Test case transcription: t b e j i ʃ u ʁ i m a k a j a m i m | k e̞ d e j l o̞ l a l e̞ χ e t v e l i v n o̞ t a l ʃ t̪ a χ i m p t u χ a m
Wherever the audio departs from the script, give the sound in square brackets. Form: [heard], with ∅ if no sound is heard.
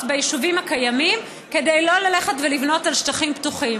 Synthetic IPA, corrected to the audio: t b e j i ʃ u [v] i m a k a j a m i m | k e̞ d e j l o̞ l a l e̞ χ e t v e l i v n o̞ t a l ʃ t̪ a χ i m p t u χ [i] m

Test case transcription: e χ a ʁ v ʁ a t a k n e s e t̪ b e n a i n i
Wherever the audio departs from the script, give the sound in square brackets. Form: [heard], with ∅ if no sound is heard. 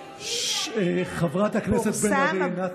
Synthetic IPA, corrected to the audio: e χ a [∅] v ʁ a t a k n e s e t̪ b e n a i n [a]

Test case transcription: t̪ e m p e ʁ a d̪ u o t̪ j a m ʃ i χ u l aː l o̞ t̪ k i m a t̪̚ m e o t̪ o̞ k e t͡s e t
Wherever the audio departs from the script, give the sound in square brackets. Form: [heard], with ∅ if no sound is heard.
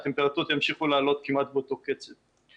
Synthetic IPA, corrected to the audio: t̪ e m p e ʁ a [t̪] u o t̪ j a m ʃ i χ u l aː l o̞ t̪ k i m a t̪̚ [b] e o t̪ o̞ k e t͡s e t

